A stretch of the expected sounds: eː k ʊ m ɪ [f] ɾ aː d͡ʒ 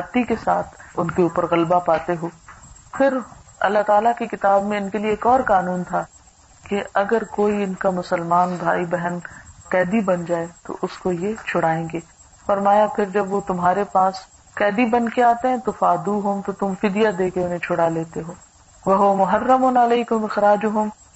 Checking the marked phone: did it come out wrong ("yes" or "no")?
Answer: yes